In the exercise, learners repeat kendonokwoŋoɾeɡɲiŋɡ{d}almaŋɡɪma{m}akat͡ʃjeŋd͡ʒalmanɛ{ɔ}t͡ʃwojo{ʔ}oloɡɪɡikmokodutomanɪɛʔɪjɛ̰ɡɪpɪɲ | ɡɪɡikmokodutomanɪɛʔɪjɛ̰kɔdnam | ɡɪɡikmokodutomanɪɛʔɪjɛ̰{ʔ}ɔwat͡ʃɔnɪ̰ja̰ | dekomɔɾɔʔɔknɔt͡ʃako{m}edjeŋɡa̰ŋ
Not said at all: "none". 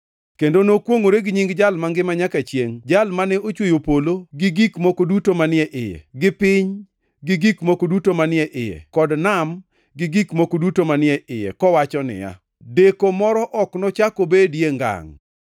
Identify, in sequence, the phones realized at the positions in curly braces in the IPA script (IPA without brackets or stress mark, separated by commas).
d͡ʒ, ɲ, o, p, k, b